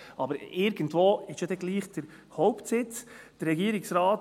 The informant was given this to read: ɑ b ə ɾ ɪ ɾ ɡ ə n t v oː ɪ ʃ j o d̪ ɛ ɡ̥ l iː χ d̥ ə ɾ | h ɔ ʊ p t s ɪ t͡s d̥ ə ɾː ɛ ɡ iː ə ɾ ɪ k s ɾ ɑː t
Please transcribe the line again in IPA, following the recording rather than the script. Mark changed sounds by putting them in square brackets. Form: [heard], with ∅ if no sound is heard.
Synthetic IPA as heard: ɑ b ə ɾ ɪ ɾ ɡ ə n t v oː ɪ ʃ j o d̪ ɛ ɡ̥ l iː χ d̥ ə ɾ | h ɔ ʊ p t s ɪ t͡s d̥ ə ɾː ɛ ɡ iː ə ɾ ɪ k s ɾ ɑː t